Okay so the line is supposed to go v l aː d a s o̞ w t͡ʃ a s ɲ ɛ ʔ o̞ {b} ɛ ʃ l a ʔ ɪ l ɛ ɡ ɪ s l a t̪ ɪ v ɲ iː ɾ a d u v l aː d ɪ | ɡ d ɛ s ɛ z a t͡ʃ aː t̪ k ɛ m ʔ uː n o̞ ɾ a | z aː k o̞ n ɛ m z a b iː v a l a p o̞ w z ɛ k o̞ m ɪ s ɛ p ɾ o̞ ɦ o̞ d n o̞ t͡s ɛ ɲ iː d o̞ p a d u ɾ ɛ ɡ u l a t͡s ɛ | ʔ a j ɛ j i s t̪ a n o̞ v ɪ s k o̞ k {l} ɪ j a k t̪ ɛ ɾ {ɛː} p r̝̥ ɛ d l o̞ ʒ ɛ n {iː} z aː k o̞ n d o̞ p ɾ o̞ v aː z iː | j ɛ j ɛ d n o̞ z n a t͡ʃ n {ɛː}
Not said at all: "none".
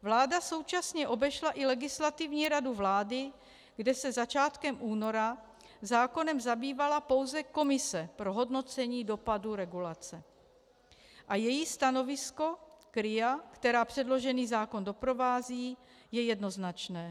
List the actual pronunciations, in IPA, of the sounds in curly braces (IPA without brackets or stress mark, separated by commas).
b, ɾ, aː, iː, ɛː